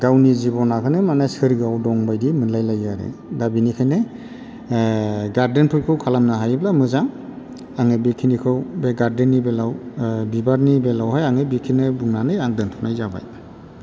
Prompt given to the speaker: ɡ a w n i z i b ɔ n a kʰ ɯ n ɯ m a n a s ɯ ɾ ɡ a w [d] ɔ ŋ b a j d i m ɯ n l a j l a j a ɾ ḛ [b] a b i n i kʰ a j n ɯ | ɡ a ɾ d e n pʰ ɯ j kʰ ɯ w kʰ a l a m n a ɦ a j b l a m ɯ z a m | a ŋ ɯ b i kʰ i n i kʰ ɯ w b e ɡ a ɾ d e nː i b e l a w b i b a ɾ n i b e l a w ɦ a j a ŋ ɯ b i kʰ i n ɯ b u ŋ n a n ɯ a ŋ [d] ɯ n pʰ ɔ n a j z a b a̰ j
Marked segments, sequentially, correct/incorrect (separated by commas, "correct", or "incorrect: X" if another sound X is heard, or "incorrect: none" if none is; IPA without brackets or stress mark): correct, incorrect: d, correct